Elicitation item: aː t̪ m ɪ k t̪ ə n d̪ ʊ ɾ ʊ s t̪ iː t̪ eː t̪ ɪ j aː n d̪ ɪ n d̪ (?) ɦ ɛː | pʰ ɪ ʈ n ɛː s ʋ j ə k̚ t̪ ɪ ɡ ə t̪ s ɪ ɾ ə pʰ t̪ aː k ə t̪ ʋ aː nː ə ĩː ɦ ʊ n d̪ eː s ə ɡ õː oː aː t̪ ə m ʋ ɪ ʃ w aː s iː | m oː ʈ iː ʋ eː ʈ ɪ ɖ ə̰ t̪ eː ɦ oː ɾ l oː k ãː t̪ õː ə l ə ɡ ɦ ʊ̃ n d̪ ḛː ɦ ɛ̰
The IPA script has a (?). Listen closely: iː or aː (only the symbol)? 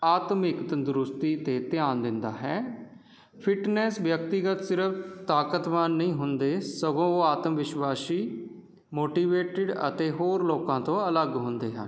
aː